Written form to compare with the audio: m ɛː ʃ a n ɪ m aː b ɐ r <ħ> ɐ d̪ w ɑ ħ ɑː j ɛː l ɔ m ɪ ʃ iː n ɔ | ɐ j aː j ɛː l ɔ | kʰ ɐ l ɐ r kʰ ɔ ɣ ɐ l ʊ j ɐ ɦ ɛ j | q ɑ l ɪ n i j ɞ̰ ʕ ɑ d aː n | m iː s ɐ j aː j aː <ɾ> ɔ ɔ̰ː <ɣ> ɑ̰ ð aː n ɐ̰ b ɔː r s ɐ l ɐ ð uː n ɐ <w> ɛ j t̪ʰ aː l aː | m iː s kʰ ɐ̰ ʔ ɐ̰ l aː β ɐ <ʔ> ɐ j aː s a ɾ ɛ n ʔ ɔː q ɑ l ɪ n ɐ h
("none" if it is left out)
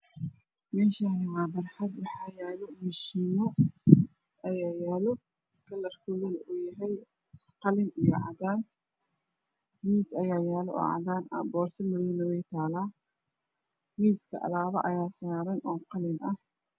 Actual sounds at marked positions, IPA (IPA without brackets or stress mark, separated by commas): ħ, l, ʕ, w, ʔ